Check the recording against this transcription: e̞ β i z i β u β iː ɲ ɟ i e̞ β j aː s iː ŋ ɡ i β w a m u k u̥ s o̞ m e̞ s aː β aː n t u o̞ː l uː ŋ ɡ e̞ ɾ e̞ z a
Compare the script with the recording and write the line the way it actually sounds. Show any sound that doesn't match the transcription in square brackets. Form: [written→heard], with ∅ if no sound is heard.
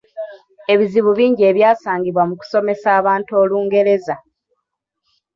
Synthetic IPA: e̞ β i z i β u β iː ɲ ɟ i e̞ β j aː s [iː→aː] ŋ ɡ i β w a m u k u̥ s o̞ m e̞ s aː β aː n t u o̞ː l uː ŋ ɡ e̞ ɾ e̞ z a